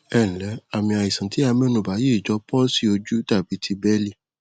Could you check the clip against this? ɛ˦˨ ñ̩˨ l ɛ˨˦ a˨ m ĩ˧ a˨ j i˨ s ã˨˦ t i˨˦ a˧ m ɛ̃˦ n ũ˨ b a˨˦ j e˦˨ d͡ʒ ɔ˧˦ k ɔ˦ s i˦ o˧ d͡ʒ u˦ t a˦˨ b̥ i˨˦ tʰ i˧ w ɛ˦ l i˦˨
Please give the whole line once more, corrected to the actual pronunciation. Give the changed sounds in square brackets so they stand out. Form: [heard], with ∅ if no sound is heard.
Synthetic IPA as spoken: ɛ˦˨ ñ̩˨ l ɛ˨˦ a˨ m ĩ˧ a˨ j i˨ s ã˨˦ t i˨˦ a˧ m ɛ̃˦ n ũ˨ b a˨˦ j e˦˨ d͡ʒ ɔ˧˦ [p] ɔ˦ s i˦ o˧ d͡ʒ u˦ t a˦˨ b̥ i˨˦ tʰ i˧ [b] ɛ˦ l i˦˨